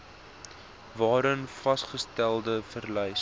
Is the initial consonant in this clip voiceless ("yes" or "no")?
no